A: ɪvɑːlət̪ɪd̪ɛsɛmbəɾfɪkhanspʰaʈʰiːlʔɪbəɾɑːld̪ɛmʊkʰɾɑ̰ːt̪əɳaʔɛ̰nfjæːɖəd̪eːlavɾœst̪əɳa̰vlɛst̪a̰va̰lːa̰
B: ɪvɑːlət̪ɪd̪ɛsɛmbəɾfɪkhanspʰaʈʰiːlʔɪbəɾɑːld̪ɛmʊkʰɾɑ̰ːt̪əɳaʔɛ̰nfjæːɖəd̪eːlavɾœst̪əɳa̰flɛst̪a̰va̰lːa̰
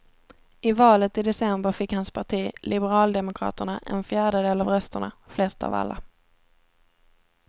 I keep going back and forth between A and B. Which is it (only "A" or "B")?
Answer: B